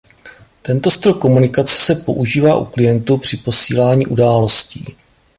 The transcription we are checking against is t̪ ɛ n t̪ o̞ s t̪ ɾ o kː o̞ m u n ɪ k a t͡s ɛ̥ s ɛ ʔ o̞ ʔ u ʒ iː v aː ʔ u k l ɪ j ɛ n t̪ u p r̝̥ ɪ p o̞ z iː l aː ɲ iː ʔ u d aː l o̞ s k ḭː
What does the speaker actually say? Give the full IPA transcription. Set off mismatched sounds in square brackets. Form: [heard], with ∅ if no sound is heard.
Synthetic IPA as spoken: t̪ ɛ n t̪ o̞ s t̪ ɾ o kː o̞ m u n ɪ k a t͡s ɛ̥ s ɛ [p] o̞ ʔ u ʒ iː v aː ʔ u k l ɪ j ɛ n t̪ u p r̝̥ ɪ p o̞ [s] iː l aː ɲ iː ʔ u d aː l o̞ s [c] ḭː